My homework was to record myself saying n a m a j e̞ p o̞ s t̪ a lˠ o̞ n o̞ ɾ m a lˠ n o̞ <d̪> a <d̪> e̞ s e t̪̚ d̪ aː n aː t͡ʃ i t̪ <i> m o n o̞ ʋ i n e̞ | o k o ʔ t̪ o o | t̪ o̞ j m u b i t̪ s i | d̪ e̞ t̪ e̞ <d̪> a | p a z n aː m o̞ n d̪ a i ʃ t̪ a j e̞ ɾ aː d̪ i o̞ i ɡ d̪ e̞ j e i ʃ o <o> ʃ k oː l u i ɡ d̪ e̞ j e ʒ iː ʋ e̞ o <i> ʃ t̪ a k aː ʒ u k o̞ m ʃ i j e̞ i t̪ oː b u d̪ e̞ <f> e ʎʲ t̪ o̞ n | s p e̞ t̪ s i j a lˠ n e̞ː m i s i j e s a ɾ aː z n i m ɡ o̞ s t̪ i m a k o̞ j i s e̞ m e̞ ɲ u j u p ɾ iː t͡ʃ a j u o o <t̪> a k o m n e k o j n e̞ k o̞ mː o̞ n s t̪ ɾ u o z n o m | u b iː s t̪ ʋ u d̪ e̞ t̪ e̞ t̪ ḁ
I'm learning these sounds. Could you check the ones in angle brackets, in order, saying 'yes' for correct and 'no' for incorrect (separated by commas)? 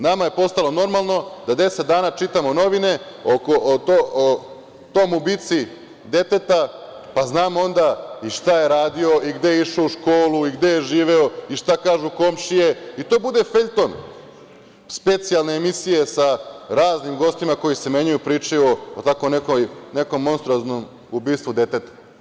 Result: yes, yes, no, no, no, yes, yes, yes